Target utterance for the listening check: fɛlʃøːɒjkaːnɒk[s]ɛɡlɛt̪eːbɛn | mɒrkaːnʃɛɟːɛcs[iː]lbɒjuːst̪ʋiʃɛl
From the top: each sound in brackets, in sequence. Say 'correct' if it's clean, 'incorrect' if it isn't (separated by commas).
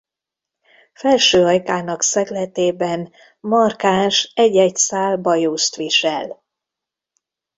correct, incorrect